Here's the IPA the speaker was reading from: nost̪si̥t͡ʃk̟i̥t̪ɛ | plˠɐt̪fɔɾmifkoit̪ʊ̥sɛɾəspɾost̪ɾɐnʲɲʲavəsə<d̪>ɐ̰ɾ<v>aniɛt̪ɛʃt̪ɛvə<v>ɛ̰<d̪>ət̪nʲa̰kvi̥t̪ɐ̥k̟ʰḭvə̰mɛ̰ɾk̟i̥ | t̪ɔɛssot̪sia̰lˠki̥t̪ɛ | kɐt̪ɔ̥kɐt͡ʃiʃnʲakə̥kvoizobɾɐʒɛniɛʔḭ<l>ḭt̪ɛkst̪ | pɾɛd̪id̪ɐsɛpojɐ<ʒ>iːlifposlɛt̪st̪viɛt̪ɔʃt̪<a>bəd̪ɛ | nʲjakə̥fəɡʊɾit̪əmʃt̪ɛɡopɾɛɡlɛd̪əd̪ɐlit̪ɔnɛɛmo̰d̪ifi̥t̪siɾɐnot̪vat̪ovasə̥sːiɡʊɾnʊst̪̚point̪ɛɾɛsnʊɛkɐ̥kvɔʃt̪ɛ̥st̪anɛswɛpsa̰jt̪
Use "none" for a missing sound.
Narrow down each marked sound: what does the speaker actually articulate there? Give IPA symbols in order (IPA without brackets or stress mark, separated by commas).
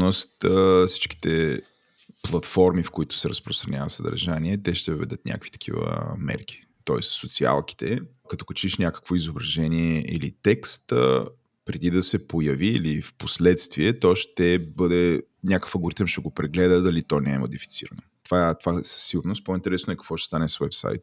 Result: d̪, ʒ, v, d̪, l, v, ɛ